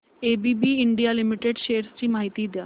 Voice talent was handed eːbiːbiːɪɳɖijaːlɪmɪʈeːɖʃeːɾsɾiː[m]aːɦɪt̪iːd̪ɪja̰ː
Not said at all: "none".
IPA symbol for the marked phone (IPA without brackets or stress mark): m